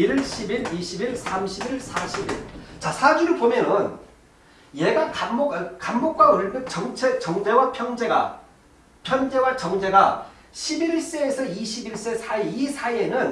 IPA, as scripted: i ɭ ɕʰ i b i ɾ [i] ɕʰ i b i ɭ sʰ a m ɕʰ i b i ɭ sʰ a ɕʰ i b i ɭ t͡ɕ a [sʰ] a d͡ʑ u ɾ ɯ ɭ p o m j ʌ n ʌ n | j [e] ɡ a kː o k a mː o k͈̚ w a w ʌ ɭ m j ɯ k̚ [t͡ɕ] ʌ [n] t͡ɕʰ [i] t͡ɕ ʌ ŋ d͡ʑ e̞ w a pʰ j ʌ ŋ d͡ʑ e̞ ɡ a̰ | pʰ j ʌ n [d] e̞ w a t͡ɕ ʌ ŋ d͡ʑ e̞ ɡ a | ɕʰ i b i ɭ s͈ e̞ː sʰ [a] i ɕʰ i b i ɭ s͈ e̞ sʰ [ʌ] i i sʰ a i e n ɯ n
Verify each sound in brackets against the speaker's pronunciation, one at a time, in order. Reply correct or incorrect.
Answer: correct, correct, correct, correct, incorrect: ŋ, incorrect: e, incorrect: d͡ʑ, incorrect: ʌ, incorrect: a

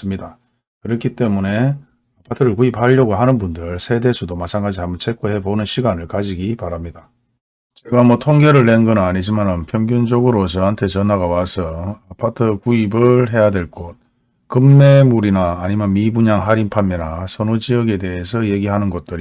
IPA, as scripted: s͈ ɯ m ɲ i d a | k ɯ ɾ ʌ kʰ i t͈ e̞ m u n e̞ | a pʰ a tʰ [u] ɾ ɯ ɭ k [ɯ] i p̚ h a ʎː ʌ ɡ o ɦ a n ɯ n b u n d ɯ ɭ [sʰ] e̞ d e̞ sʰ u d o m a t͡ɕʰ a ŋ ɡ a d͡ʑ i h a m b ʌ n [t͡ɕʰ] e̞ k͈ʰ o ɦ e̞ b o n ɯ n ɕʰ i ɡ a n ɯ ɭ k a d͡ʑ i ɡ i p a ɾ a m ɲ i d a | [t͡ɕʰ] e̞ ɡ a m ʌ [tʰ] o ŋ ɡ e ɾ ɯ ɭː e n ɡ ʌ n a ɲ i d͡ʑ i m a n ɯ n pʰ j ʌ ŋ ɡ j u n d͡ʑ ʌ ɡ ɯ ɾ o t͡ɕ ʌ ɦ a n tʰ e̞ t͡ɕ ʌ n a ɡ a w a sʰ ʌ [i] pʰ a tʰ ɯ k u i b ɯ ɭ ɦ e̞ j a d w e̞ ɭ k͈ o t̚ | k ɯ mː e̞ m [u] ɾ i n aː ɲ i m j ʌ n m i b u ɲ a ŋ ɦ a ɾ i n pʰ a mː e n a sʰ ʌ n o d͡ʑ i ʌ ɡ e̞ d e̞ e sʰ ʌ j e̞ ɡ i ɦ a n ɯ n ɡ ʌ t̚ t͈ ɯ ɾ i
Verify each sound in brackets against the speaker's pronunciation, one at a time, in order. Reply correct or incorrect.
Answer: incorrect: ɯ, incorrect: u, correct, correct, incorrect: t͡ɕ, correct, incorrect: a, correct

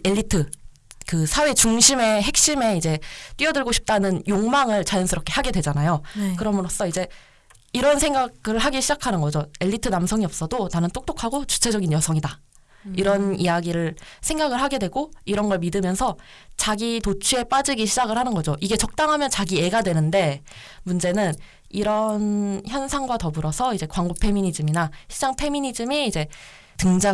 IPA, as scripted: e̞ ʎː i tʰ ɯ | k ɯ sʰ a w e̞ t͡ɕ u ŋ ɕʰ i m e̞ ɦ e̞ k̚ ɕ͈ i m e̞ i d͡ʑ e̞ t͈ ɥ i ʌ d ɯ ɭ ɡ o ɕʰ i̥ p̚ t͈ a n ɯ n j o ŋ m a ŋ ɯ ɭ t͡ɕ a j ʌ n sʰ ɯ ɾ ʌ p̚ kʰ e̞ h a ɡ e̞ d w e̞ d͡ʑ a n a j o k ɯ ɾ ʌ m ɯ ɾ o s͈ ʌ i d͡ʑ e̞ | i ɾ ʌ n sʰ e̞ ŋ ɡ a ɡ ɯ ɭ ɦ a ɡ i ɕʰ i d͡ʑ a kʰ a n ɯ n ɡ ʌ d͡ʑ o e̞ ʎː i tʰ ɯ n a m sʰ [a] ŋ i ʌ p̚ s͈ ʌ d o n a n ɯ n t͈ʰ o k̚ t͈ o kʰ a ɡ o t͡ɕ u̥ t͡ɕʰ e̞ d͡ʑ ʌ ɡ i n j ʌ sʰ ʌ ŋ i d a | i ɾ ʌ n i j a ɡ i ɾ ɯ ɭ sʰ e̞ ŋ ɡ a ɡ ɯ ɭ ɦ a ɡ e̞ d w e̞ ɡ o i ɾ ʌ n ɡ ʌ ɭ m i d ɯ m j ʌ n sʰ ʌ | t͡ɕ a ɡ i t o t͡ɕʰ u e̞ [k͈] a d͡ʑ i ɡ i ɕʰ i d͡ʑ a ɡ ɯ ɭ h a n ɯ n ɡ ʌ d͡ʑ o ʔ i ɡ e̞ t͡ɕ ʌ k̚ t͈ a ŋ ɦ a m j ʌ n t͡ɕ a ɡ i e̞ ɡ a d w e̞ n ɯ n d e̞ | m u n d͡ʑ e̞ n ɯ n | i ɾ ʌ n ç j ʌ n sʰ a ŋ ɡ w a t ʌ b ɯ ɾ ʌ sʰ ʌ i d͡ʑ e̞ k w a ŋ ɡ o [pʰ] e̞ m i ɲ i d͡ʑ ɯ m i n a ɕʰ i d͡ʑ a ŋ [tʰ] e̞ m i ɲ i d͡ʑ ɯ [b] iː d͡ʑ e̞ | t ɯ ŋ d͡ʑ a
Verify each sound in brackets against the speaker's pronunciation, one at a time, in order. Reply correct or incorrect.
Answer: incorrect: ʌ, incorrect: p͈, correct, incorrect: pʰ, incorrect: m

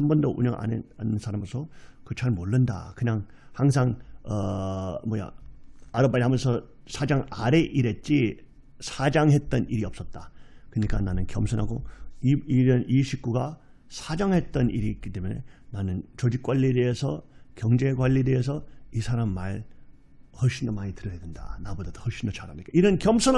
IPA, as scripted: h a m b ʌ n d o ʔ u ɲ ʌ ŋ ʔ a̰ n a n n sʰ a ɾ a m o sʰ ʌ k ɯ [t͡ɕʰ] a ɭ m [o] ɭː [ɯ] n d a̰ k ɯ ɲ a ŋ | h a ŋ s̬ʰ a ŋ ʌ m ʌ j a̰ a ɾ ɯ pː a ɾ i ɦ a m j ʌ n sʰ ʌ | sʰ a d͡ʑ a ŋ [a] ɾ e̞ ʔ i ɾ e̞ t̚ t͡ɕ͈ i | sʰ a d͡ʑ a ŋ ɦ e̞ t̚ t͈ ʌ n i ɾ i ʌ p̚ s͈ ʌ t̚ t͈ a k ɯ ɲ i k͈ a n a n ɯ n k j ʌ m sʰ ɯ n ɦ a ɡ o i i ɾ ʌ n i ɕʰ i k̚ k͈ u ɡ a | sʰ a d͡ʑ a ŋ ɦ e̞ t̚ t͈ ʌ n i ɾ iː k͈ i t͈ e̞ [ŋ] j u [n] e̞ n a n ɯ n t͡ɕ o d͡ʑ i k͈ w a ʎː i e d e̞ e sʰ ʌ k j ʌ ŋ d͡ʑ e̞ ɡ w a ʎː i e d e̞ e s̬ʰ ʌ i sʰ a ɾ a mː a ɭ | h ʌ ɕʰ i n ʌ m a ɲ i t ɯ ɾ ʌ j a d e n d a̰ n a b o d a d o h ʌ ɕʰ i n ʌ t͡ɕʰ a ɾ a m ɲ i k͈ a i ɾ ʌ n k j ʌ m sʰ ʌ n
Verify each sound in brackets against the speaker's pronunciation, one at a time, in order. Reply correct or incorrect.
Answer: correct, correct, correct, correct, incorrect: m, correct

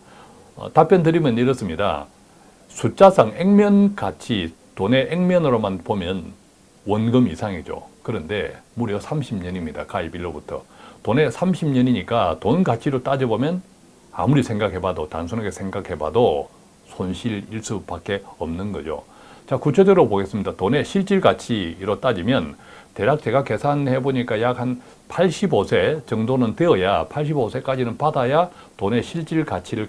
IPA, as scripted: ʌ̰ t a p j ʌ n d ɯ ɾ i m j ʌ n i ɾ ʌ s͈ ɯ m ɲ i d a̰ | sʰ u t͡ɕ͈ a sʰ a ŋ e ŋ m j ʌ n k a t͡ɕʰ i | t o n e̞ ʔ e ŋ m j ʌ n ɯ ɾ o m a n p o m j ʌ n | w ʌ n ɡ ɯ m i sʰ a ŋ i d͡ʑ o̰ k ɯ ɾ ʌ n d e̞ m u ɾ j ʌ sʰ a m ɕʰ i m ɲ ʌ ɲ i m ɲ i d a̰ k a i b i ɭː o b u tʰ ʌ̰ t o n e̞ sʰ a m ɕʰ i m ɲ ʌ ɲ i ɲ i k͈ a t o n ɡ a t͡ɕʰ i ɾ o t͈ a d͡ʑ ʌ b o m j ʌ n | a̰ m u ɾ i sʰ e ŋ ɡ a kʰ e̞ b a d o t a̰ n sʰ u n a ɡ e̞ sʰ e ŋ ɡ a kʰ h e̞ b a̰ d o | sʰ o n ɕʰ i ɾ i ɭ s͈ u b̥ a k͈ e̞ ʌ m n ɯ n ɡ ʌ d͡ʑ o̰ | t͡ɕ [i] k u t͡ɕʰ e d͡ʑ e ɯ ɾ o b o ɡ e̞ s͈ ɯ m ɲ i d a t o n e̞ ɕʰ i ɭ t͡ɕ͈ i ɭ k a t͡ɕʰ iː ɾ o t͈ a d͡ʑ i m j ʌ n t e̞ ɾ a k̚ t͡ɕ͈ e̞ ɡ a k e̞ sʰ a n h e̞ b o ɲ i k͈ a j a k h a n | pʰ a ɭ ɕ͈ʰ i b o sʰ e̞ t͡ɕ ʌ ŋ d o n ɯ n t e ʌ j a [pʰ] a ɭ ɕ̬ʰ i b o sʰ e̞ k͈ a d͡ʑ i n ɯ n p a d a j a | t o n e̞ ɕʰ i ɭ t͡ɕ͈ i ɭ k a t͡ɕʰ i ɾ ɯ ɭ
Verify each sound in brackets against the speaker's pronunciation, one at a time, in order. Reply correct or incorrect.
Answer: incorrect: a, correct

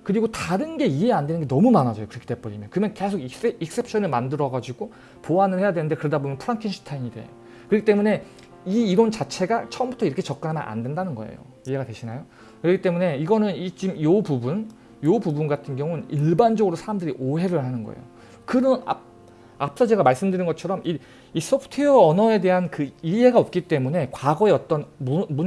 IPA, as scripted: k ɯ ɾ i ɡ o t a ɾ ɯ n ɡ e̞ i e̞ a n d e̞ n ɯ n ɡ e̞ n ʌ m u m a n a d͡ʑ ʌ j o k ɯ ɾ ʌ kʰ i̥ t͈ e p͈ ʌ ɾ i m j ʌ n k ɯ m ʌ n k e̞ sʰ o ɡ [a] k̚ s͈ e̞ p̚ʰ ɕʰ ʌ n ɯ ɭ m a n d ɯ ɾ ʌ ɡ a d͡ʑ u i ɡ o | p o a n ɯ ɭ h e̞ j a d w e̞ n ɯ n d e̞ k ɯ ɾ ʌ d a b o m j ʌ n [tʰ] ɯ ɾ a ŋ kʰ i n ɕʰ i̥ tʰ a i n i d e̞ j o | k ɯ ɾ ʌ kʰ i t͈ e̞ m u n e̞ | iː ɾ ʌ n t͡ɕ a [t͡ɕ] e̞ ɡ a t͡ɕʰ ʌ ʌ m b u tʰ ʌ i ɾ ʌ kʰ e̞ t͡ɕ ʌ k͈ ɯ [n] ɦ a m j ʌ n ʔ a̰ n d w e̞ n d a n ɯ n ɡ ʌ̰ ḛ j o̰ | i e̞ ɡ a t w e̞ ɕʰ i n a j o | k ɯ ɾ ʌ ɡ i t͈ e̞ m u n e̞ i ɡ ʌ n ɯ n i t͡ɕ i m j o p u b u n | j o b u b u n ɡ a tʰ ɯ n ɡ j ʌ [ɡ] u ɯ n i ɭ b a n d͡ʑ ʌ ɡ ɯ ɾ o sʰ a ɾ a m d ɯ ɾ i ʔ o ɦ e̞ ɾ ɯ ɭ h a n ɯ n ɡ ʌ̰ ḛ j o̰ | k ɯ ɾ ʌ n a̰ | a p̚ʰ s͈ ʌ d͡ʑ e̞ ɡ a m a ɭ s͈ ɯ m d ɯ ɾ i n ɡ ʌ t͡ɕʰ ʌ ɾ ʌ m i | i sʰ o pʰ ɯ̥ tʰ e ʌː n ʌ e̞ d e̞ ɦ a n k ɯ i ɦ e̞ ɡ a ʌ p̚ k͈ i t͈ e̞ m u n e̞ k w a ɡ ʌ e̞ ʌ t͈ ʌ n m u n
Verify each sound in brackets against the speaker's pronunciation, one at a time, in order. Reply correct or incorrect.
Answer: incorrect: i, incorrect: pʰ, incorrect: t͡ɕʰ, correct, incorrect: ŋ

